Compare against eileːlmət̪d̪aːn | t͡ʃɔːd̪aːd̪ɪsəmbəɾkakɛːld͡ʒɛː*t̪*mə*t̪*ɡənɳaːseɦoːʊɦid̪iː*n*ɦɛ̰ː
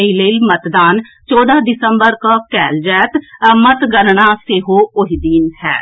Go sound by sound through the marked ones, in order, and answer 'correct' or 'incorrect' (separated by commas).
correct, correct, correct